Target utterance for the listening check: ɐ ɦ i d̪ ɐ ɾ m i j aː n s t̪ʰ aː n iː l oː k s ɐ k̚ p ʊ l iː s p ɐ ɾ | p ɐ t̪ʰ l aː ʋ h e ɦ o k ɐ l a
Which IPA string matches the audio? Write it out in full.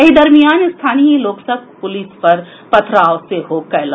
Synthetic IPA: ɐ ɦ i d̪ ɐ ɾ m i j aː n s t̪ʰ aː n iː l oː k s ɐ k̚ p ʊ l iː s p ɐ ɾ | p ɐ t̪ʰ ɾ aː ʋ s e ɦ o k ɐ l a